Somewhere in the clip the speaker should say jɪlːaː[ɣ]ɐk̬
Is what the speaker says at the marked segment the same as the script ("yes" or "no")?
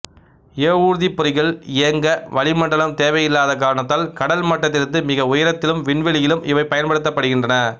no